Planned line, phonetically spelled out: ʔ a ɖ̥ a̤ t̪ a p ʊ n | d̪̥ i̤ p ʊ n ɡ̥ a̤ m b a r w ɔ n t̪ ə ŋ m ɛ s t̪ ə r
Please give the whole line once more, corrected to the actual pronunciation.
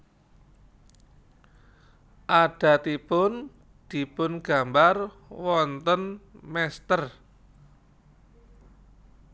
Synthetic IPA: ʔ a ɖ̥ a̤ t̪ i p ʊ n | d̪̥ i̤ p ʊ n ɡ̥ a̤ m b a r w ɔ n t̪ ə n m ɛ s t̪ ə r